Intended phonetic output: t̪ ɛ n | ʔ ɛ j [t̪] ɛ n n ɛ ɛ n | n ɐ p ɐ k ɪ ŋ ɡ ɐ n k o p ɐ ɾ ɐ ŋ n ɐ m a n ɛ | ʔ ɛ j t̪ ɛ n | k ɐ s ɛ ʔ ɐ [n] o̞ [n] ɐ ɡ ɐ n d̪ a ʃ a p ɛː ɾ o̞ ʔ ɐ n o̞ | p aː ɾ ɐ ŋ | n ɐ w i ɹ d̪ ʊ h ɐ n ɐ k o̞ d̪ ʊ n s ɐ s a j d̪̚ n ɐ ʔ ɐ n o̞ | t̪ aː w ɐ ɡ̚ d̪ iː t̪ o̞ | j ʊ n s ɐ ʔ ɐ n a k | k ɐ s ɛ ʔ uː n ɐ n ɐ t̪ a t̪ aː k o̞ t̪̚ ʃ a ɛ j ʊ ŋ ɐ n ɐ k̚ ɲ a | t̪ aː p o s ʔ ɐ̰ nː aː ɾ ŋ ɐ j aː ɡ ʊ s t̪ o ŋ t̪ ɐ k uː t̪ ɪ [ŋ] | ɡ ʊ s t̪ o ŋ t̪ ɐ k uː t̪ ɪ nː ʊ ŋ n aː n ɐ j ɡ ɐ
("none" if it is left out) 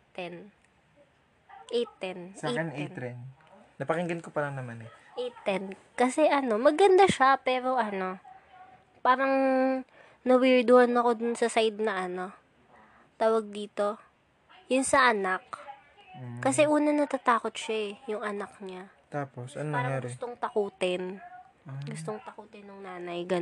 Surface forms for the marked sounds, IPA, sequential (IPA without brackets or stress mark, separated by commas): t̪, n, m, n